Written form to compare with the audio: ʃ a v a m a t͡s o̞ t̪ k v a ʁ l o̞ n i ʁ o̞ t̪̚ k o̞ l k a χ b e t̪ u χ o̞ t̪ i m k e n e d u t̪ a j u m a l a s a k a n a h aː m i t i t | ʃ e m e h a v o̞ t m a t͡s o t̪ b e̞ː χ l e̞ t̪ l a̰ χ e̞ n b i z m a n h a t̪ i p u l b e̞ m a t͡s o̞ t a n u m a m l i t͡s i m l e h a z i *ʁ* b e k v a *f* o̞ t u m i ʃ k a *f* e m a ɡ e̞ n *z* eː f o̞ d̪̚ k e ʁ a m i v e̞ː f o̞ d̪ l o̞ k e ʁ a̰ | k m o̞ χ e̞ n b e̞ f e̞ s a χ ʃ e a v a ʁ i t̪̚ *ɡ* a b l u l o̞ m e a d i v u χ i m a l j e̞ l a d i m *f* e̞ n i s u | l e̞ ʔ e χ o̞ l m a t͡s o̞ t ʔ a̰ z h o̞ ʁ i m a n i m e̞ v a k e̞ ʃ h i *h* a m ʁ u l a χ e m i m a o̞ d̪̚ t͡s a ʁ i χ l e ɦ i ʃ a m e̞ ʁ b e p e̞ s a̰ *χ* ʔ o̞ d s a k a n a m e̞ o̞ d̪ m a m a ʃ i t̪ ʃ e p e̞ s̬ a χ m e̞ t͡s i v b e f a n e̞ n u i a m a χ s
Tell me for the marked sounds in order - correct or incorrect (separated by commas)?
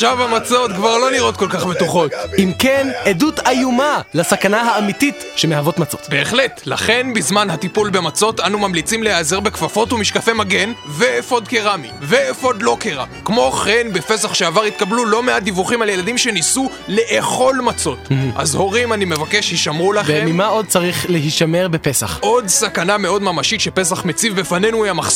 correct, correct, correct, incorrect, incorrect, incorrect, incorrect, correct